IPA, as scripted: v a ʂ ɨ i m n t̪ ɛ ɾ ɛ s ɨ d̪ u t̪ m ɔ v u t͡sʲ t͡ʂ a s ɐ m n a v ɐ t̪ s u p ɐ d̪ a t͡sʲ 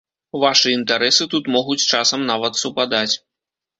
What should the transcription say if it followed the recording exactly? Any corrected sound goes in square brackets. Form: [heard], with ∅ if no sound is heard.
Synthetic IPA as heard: v a ʂ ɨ i [∅] n t̪ [a] ɾ ɛ s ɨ [t̪] u t̪ m ɔ [ɣ] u t͡sʲ t͡ʂ a s ɐ m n a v ɐ t̪ s u p [a] d̪ a t͡sʲ